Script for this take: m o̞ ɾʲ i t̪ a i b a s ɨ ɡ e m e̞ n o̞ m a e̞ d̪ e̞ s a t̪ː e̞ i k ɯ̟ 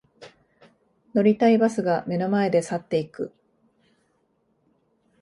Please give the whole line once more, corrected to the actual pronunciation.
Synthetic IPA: n o̞ ɾʲ i t̪ a i b a s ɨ ɡ a m e̞ n o̞ m a e̞ d̪ e̞ s a t̪ː e̞ i k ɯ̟